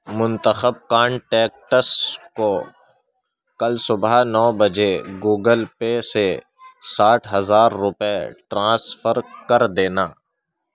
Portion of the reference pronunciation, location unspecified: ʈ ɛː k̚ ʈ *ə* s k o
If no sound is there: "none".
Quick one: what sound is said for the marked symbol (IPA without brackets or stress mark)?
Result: ə